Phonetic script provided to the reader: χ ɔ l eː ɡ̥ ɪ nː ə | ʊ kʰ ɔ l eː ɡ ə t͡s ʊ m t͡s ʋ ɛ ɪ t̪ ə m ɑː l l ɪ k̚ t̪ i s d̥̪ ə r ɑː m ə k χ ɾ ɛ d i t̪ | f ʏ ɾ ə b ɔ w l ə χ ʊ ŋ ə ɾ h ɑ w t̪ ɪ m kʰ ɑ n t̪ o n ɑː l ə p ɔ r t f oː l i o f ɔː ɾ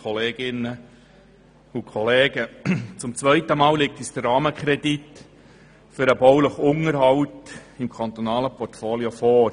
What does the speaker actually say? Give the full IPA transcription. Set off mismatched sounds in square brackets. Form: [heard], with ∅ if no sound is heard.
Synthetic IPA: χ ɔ l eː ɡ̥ ɪ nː ə | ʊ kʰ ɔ l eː ɡ ə t͡s ʊ m t͡s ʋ [œ] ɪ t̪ ə m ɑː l l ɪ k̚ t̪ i s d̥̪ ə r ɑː m ə k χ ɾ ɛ d i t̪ | f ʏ ɾ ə b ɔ w l ə χ ʊ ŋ ə ɾ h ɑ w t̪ ɪ m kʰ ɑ n t̪ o n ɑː l ə p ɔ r t f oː l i o f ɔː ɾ